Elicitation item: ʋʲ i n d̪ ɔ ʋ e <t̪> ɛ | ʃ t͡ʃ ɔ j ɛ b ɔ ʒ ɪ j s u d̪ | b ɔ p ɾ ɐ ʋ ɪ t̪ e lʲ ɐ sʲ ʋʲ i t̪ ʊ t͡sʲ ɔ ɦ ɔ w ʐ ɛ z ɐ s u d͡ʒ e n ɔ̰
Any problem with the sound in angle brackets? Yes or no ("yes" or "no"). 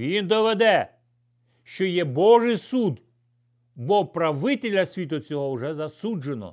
yes